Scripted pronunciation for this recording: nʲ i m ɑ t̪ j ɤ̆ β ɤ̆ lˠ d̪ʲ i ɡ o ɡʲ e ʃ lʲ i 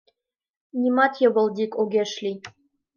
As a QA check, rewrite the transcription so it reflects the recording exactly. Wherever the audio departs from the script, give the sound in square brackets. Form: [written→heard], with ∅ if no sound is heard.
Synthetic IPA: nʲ i m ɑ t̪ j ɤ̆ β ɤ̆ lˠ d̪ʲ i [ɡ→k] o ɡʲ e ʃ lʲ i